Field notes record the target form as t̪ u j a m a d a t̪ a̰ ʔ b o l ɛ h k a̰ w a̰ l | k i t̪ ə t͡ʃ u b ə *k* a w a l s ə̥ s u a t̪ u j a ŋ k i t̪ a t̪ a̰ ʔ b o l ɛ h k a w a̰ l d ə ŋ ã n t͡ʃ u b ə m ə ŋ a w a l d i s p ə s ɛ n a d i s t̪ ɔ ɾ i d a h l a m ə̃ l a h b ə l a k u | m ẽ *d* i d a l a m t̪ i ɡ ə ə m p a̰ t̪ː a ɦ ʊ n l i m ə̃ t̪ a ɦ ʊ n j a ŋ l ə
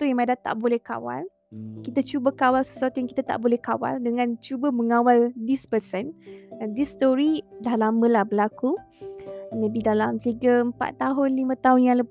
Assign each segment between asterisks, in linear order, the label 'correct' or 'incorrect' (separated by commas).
correct, incorrect